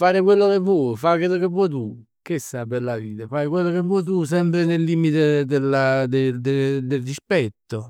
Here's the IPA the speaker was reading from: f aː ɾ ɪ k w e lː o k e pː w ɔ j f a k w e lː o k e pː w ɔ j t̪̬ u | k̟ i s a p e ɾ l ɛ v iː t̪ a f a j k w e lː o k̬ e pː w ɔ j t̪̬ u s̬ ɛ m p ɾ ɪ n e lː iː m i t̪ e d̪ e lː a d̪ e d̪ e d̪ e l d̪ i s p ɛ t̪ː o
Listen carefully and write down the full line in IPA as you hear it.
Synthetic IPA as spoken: f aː ɾ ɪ k w e lː o k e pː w ɔ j f a k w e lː o k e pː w ɔ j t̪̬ u | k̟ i s a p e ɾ l a v iː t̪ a f a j k w e lː o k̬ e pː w ɔ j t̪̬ u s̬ ɛ m p ɾ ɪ n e lː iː m i t̪ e d̪ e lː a d̪ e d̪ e d̪ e l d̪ i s p ɛ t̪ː o